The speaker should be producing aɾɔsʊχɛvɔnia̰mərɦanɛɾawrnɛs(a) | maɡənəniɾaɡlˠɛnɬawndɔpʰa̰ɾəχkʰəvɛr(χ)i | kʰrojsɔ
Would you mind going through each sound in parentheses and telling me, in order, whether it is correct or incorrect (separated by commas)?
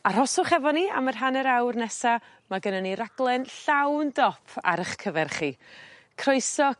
correct, correct